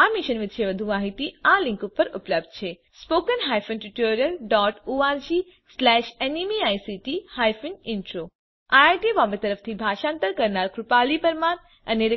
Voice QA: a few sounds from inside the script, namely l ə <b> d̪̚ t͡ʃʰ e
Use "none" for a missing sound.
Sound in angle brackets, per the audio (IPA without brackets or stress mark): b